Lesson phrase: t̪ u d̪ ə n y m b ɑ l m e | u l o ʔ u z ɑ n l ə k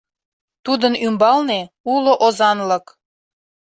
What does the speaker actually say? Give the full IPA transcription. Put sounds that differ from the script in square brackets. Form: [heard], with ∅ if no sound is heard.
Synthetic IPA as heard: t̪ u d̪ ə n y m b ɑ l [n] e | u l o ʔ [o] z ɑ n l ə k

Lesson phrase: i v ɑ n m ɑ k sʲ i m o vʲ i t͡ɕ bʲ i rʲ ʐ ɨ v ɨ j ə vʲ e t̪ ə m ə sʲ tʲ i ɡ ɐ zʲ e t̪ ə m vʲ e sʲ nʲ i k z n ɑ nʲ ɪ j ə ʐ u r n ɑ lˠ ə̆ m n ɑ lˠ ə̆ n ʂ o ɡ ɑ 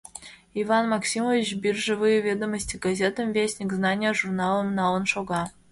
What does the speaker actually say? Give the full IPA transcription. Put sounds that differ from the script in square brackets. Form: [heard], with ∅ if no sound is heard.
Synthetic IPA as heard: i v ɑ n m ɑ k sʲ i m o vʲ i t͡ɕ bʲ i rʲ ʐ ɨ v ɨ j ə vʲ e [d̪] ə m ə sʲ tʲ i ɡ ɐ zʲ e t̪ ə m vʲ e sʲ nʲ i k z n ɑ nʲ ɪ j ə ʐ u r n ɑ lˠ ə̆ m n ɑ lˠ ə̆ n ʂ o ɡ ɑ

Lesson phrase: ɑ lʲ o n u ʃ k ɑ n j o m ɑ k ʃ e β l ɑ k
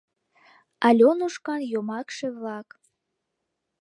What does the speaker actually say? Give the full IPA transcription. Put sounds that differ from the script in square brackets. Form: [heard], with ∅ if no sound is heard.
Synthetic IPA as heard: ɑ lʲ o n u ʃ k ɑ n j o m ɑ k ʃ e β l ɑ k

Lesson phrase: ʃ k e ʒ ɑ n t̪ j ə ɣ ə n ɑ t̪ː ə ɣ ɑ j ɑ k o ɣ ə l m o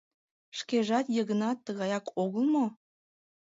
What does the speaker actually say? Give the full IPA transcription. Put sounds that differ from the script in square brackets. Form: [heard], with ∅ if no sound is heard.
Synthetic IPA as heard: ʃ k e ʒ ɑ [∅] t̪ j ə ɣ ə n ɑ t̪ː ə ɣ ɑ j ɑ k o ɣ ə l m o

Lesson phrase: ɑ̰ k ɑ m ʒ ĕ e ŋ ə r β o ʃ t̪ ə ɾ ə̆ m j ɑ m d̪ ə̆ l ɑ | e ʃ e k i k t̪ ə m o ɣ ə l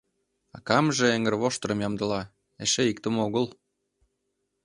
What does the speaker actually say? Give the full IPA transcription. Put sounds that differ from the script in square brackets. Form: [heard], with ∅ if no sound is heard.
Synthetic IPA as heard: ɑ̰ k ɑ m ʒ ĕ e ŋ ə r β o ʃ t̪ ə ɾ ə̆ m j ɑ m d̪ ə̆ l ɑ | e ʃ e [∅] i k t̪ ə m o ɣ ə l

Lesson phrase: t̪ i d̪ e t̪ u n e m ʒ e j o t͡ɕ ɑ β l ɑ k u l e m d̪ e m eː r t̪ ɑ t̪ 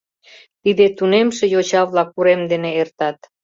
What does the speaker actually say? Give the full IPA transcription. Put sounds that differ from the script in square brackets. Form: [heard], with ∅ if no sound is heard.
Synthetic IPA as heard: t̪ i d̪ e t̪ u n e m [ʃ] e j o t͡ɕ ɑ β l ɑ k u [ɾ] e m d̪ e [n] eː r t̪ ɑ t̪

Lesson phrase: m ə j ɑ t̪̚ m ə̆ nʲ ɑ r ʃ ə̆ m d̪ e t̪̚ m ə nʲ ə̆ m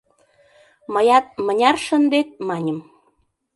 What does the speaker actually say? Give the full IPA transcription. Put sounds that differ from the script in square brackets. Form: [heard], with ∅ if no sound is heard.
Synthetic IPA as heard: m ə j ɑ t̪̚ m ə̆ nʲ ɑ r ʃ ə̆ [n] d̪ e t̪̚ m [ɑ] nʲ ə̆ m

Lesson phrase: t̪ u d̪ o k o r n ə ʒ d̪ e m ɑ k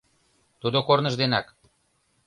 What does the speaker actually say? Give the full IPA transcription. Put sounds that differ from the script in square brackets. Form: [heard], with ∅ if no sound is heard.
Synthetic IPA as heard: t̪ u d̪ o k o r n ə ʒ d̪ e [n] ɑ k

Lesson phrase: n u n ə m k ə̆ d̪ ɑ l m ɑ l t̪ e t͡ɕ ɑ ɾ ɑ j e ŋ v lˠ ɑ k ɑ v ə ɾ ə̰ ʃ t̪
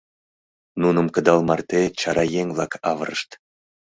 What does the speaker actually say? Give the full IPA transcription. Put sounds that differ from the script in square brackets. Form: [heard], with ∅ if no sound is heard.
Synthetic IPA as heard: n u n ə m k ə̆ d̪ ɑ l m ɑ [r] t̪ e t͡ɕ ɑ ɾ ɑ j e ŋ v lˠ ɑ k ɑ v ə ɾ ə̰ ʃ t̪

